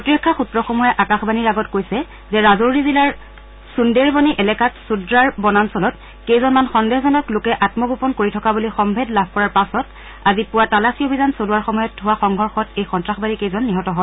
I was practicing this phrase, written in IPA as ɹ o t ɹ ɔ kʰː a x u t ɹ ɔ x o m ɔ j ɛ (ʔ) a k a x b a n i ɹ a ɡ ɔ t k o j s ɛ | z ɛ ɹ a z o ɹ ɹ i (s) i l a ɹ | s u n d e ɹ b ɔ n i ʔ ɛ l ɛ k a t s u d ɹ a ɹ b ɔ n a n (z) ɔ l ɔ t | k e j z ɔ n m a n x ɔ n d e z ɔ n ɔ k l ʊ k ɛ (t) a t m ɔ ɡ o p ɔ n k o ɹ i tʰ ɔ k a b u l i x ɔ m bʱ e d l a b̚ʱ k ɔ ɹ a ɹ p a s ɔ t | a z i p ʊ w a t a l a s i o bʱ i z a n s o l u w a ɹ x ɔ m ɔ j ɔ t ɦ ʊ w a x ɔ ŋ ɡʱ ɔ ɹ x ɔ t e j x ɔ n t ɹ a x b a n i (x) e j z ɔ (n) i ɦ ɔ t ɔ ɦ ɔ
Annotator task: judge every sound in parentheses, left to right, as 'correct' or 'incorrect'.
correct, incorrect: z, incorrect: s, incorrect: ʔ, incorrect: k, incorrect: nː

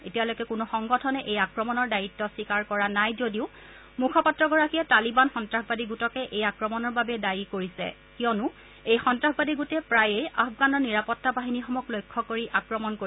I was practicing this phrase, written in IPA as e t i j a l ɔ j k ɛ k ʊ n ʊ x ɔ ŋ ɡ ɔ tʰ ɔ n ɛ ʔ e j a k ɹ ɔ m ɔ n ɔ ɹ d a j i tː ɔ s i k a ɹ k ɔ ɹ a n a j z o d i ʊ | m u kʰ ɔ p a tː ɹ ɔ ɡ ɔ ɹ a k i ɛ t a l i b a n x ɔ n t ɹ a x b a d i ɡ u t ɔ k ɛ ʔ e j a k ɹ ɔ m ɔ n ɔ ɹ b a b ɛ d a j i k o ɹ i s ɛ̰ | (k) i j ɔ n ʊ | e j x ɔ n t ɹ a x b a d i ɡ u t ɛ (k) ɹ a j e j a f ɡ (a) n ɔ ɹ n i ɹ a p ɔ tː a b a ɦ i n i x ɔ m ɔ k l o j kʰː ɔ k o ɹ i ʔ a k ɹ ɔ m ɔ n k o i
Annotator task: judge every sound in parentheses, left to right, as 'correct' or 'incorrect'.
correct, incorrect: p, correct

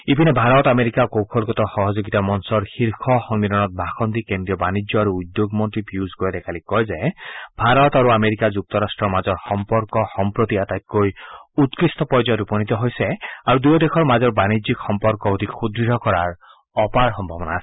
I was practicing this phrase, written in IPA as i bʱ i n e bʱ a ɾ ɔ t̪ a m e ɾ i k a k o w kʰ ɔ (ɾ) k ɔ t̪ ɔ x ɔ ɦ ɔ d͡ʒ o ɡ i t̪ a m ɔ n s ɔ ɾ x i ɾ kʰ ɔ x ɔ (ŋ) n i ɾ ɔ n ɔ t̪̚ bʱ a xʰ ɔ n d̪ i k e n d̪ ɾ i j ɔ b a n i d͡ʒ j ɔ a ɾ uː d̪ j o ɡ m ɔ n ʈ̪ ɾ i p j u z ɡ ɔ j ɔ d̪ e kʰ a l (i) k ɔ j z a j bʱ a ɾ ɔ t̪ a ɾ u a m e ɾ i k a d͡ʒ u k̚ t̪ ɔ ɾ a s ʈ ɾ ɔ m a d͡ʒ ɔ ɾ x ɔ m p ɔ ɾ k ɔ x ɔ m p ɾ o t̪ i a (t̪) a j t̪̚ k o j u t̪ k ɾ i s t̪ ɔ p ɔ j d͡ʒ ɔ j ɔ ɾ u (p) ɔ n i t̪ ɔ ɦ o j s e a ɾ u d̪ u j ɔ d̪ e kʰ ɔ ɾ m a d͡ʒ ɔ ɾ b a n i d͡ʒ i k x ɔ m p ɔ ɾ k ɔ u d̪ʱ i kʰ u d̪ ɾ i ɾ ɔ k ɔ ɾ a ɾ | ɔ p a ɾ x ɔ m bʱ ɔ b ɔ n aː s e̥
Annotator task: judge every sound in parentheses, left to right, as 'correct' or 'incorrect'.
incorrect: l, correct, correct, correct, correct

